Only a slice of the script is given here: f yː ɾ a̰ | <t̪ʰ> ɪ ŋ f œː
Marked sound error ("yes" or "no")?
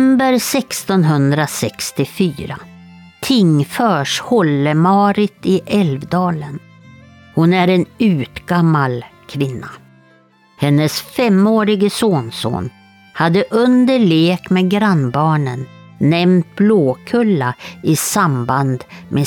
no